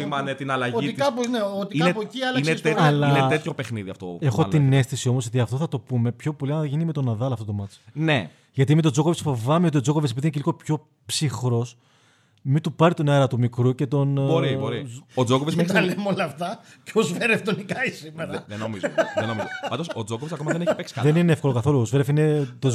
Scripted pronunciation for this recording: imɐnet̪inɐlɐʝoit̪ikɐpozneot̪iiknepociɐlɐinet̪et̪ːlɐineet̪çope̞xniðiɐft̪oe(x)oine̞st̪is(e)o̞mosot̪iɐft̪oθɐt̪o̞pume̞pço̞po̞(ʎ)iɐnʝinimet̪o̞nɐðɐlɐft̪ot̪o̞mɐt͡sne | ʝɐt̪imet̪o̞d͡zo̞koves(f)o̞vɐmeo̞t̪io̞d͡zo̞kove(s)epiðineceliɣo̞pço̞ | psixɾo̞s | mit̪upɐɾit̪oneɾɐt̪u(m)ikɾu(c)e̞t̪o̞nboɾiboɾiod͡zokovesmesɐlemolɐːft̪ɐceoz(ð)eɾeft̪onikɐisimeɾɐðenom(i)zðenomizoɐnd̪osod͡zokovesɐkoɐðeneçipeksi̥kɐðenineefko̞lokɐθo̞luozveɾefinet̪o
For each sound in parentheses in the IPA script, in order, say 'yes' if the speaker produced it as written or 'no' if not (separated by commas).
yes, no, no, yes, yes, yes, yes, no, yes